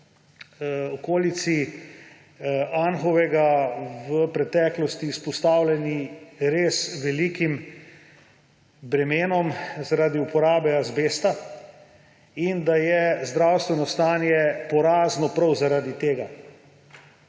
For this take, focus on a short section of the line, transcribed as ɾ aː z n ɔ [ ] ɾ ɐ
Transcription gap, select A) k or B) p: B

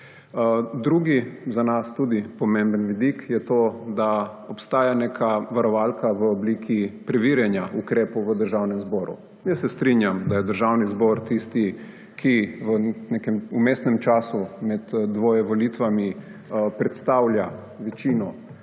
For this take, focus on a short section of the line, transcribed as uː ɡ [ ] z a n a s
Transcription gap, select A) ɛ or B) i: B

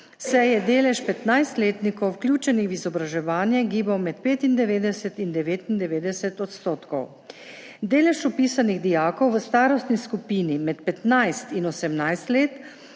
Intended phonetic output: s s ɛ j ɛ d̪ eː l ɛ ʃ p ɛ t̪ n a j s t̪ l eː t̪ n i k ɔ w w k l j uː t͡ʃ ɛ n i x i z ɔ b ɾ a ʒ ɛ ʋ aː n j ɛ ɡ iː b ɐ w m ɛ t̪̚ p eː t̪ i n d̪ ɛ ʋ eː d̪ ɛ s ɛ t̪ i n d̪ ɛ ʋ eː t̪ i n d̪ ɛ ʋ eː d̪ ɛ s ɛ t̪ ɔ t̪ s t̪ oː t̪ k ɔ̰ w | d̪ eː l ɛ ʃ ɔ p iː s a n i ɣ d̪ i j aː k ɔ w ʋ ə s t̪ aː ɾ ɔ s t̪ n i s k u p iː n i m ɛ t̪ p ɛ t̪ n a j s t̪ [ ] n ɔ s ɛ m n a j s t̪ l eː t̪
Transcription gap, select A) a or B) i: B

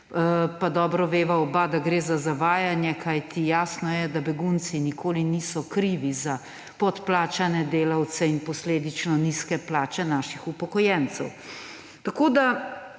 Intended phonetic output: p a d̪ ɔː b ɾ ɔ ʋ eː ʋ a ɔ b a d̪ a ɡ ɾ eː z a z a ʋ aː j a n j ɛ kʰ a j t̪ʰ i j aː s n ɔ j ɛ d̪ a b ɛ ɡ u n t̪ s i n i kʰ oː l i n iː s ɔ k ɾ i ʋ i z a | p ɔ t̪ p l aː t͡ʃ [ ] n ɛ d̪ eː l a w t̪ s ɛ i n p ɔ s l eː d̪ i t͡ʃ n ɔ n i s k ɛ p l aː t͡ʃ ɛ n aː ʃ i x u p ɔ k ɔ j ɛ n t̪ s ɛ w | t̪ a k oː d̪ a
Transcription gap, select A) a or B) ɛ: A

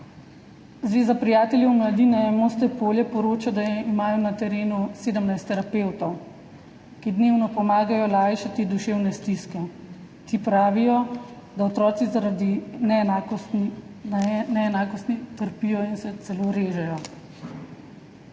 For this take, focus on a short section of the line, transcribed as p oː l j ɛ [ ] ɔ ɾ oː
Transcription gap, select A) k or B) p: B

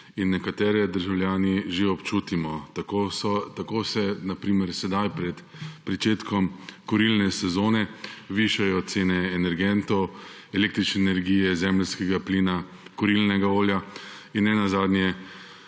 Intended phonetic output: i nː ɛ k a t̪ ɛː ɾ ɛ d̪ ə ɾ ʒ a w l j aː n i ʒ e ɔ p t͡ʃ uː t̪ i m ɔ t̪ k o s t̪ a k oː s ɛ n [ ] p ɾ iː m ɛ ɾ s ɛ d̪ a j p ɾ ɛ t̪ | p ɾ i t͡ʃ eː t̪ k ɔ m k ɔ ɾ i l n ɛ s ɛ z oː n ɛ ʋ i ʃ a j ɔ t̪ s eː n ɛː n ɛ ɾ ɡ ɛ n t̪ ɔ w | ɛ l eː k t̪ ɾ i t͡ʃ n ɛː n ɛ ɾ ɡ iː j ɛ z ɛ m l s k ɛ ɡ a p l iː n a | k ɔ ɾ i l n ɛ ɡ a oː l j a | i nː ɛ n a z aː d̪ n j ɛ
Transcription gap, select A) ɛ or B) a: B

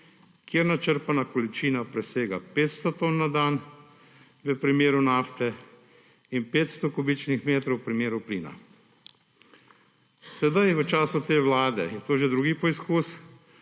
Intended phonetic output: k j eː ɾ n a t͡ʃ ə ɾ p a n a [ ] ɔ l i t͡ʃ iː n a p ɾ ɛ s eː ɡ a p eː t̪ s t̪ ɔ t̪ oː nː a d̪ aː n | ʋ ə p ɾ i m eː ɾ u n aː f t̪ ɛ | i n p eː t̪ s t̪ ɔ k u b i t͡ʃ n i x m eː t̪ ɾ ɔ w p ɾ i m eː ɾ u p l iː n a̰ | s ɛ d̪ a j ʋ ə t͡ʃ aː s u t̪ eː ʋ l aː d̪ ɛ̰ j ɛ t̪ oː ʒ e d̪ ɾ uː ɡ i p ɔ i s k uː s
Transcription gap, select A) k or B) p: A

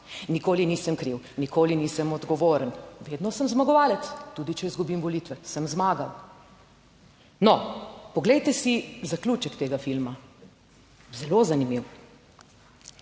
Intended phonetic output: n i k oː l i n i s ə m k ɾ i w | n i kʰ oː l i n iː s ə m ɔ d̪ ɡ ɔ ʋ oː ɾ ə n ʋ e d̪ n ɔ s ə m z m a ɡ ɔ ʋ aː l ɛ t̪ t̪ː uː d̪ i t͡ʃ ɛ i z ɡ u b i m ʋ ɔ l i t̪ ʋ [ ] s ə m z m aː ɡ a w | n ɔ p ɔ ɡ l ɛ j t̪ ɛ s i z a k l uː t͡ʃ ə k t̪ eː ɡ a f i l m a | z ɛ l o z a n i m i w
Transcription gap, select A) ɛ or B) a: A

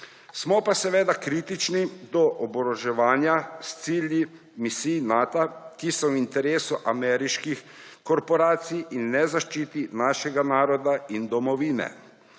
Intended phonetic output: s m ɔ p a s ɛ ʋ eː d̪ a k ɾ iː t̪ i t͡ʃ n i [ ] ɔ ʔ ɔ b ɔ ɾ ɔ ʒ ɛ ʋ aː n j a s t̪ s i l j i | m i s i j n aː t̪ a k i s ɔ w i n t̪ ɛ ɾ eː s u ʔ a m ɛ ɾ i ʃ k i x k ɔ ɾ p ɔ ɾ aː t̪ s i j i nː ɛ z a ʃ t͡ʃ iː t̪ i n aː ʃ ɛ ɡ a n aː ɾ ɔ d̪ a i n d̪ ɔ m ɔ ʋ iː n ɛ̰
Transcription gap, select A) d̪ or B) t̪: A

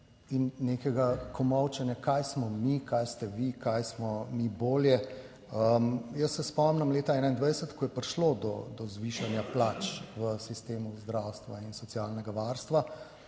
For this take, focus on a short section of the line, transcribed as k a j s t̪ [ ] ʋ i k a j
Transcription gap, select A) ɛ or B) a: A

